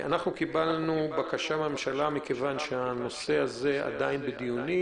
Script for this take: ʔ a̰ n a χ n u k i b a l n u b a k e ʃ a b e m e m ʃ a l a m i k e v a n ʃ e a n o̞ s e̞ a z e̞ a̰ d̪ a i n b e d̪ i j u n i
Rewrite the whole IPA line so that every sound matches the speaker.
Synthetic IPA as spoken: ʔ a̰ n a χ n u k i b a l n u b a k a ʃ a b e m e m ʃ a l a m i k e v a n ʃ e a n o̞ s e̞ a z e̞ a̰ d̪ a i n b e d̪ i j u n i